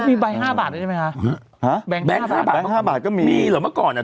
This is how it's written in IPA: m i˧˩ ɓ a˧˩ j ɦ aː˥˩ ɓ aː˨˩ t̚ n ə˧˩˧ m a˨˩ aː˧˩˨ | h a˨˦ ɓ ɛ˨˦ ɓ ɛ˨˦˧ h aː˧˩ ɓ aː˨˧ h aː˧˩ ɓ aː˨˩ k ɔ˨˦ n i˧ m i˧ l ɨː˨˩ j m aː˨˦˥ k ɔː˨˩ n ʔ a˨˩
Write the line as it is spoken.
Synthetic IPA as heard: m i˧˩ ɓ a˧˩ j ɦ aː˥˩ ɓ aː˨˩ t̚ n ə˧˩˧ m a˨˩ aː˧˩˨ | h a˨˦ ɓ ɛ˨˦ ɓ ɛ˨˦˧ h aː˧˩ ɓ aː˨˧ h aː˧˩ ɓ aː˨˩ k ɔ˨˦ m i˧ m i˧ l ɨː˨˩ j m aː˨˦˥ k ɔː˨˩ n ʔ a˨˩